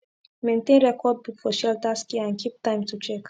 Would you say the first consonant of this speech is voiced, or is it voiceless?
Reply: voiced